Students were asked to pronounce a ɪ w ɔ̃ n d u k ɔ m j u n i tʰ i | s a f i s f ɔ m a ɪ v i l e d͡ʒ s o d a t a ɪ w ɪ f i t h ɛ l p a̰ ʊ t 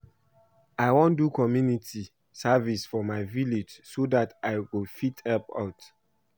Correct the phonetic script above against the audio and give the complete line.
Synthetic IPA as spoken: a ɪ w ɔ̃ n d u k ɔ m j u n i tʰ i | s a v i s f ɔ m a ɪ v i l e d͡ʒ s o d a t a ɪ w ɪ f i t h ɛ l p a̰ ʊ t